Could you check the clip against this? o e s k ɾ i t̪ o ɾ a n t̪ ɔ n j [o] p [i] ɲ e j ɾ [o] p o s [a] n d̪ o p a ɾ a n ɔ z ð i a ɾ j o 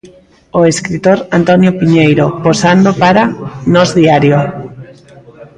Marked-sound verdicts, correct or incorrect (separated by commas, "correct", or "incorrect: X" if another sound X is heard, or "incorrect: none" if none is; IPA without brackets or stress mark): correct, correct, correct, correct